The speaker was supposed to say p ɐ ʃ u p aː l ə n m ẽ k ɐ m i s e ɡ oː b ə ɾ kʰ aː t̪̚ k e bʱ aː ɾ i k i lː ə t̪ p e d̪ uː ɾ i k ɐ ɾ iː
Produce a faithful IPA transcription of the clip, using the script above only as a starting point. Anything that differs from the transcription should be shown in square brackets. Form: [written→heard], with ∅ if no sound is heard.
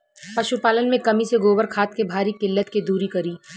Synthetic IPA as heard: p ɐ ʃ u p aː l ə n m ẽ k ɐ m i s e ɡ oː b ə ɾ kʰ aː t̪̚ k e bʱ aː ɾ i k [i→ɪ] lː ə t̪ [p→k] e d̪ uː ɾ i k ɐ ɾ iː